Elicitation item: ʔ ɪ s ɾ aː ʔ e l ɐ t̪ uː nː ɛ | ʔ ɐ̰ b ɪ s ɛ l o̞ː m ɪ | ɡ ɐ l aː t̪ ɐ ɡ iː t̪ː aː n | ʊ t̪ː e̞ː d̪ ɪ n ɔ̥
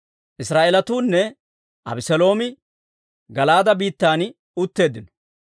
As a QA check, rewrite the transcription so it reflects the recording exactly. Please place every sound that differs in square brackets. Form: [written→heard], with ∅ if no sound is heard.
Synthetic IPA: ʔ ɪ s ɾ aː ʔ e l ɐ t̪ uː nː ɛ | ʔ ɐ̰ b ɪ s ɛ l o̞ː m ɪ | ɡ ɐ l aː [t̪→d̪] ɐ [ɡ→b] iː t̪ː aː n | ʊ t̪ː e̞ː d̪ ɪ n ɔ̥

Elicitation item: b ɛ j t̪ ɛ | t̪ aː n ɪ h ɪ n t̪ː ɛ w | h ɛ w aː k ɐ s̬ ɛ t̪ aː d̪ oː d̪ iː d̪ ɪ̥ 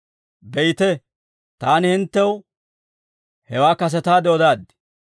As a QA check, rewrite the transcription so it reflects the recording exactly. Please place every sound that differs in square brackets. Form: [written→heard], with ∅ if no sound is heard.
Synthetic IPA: b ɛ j t̪ ɛ | t̪ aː n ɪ h ɪ n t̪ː ɛ w | h ɛ w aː k ɐ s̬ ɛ t̪ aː d̪ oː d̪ [iː→aː] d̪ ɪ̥

